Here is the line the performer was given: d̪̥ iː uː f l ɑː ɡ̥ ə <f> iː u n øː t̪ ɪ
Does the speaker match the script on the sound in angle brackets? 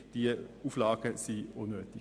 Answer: no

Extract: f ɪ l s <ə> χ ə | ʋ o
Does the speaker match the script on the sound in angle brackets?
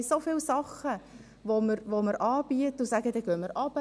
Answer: no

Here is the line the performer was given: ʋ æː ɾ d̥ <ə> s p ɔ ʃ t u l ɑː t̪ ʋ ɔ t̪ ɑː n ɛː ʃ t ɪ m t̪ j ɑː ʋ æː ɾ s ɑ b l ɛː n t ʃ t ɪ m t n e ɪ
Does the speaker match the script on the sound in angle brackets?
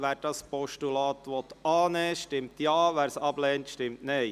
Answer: no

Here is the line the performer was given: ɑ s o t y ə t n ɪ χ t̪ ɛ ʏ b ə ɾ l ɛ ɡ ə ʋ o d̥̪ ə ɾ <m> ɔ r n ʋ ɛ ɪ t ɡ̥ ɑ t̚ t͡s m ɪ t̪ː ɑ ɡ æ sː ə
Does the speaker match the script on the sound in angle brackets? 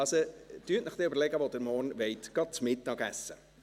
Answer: yes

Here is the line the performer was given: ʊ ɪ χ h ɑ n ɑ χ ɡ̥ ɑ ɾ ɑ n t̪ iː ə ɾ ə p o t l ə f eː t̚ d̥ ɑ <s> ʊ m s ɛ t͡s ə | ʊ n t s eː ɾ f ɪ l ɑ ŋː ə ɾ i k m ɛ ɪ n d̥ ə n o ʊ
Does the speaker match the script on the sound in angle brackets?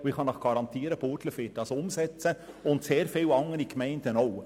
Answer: yes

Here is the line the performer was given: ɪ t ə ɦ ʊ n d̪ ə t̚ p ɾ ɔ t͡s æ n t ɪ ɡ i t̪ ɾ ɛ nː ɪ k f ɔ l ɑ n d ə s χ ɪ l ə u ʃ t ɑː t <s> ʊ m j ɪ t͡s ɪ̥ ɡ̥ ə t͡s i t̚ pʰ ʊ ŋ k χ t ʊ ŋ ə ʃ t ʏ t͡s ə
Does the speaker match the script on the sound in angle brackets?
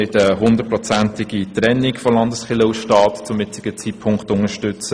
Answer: no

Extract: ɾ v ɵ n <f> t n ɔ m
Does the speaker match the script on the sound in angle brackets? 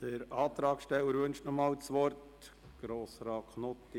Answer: no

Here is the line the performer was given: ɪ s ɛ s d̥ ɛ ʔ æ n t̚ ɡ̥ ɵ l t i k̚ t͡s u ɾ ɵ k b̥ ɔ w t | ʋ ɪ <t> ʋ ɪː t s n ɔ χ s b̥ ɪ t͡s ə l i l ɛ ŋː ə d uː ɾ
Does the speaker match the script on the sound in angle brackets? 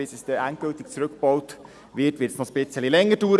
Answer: yes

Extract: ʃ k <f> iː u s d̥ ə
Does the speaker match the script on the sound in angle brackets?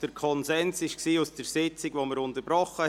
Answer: no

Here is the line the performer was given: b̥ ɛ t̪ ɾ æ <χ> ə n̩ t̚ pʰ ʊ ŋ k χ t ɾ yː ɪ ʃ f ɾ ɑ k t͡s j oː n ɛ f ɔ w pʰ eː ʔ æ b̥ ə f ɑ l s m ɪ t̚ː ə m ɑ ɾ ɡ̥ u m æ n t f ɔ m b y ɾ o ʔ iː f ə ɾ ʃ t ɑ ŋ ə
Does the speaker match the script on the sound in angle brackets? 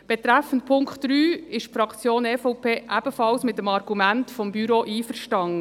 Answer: no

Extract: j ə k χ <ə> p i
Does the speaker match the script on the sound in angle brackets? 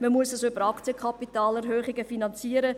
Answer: no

